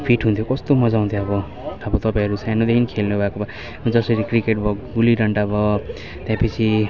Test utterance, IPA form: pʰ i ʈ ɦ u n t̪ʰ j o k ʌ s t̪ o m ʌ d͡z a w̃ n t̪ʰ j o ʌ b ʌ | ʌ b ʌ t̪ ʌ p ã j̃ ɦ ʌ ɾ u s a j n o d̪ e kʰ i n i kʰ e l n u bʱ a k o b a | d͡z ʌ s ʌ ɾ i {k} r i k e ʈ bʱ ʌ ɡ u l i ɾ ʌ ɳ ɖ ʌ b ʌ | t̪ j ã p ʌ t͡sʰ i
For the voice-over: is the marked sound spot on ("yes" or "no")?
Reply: yes